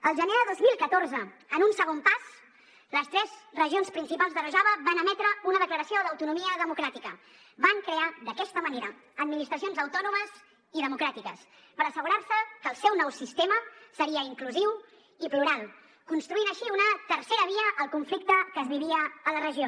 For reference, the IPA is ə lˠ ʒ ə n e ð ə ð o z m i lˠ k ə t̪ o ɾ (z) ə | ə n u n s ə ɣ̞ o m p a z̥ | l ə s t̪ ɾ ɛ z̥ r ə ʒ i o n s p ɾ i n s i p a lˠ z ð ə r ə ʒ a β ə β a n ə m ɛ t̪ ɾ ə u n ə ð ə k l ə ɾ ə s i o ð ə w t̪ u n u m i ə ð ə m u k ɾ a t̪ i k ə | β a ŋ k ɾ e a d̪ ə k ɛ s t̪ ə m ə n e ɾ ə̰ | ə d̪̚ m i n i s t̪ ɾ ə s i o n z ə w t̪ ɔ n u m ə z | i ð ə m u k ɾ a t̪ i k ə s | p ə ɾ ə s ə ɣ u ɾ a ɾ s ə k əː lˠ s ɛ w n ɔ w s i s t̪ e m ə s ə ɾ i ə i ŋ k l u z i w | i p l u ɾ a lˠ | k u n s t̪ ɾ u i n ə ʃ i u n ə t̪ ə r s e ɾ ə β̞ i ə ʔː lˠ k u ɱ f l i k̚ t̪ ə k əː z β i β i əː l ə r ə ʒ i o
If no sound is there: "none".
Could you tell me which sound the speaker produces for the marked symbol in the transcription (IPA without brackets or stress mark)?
z